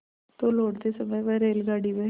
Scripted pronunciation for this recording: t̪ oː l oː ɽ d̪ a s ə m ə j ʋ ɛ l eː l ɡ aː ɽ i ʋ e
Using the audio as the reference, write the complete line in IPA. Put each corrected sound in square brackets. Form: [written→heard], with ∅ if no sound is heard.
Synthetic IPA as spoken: t̪ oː l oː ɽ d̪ [a→e] s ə m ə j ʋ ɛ [l→ɾ] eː l ɡ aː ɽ i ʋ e

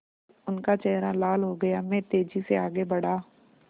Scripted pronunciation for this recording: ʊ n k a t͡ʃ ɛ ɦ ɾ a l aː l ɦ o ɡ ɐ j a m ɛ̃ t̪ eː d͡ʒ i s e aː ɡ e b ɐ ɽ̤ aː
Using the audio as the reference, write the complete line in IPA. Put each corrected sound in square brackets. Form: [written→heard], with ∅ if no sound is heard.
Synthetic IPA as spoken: ʊ n k a t͡ʃ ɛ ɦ ɾ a l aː l ɦ o ɡ ɐ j a m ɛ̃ t̪ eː d͡ʒ i s e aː ɡ e b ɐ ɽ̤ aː

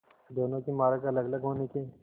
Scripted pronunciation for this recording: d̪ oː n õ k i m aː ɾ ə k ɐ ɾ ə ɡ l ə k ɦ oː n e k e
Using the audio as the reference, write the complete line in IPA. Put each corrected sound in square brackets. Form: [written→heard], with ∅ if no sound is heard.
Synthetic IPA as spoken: d̪ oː n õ k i m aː ɾ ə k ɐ [ɾ→l] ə ɡ l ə [k→ɡ] ɦ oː n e k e

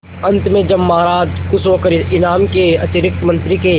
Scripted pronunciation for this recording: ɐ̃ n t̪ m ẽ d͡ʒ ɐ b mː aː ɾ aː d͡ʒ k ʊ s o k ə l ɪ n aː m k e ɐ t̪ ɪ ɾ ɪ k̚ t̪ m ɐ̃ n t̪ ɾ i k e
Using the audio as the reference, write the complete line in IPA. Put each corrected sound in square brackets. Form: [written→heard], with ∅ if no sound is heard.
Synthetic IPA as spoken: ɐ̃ n t̪ m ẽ d͡ʒ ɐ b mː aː ɾ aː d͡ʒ k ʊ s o k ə [l→ɾ] ɪ n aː m k e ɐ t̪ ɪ ɾ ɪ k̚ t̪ m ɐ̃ n t̪ ɾ i k e

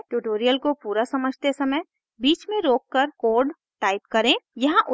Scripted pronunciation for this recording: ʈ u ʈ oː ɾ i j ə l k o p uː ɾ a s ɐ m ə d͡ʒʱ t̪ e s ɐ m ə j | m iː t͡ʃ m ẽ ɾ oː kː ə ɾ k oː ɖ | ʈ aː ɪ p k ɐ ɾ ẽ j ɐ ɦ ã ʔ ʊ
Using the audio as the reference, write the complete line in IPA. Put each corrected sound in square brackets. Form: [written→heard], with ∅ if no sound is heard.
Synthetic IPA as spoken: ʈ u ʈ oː ɾ i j ə l k o p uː ɾ a s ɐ m ə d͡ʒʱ t̪ e s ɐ m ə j | [m→b] iː t͡ʃ m ẽ ɾ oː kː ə ɾ k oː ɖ | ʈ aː ɪ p k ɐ ɾ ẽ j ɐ ɦ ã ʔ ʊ

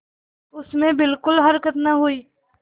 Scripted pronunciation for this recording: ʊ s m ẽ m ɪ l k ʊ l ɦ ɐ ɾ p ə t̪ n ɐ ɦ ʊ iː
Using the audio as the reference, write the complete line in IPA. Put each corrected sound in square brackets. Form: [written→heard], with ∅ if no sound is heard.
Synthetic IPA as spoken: ʊ s m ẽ [m→b] ɪ l k ʊ l ɦ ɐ ɾ [p→k] ə t̪ n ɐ ɦ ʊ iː

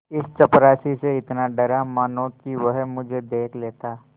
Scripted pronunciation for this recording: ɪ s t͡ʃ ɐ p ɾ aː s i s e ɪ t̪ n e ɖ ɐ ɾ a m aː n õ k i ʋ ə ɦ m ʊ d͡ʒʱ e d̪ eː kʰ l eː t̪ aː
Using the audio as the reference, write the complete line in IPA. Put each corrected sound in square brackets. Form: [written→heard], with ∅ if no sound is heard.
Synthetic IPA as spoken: ɪ s t͡ʃ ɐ p ɾ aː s i s e ɪ t̪ n [e→a] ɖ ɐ ɾ a m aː n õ k i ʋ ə ɦ m ʊ d͡ʒʱ e d̪ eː kʰ l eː t̪ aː

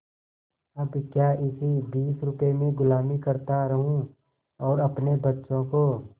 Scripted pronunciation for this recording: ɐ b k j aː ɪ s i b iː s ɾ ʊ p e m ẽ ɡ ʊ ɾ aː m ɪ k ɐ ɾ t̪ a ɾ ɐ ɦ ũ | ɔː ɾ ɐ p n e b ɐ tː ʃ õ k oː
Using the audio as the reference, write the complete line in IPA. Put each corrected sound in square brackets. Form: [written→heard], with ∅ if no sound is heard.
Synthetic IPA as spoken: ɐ b k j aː ɪ s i b iː s ɾ ʊ p e m ẽ ɡ ʊ [ɾ→l] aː m [ɪ→i] k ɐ ɾ t̪ a ɾ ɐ ɦ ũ | ɔː ɾ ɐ p n e b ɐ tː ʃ õ k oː

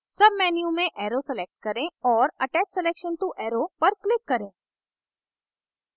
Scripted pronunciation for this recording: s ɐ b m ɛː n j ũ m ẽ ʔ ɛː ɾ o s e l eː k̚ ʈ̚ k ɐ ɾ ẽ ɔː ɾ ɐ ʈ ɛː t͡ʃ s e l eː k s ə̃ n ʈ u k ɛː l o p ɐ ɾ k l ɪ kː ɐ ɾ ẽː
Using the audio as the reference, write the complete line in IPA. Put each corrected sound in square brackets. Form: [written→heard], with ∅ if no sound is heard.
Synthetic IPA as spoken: s ɐ b m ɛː n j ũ m ẽ ʔ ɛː ɾ o s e l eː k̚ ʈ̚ k ɐ ɾ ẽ ɔː ɾ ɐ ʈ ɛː t͡ʃ s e l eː k [s→ʃ] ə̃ n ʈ u [k→ʔ] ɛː [l→ɾ] o p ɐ ɾ k l ɪ kː ɐ ɾ ẽː

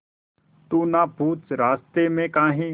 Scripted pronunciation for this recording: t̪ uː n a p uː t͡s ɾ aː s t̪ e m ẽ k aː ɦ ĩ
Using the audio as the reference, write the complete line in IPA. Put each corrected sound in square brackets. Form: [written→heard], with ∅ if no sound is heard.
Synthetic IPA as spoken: t̪ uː n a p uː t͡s ɾ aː s t̪ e m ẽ k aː ɦ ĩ

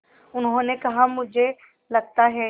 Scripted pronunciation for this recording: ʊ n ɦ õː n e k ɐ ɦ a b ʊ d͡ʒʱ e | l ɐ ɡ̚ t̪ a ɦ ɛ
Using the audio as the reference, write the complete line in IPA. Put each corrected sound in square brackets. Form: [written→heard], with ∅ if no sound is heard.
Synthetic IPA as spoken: ʊ n ɦ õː n e k ɐ ɦ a [b→m] ʊ d͡ʒʱ e | l ɐ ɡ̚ t̪ a ɦ ɛ

